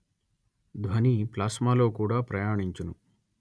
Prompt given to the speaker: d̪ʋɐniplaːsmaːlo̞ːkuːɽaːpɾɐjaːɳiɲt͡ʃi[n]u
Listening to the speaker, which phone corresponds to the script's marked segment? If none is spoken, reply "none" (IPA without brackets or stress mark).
n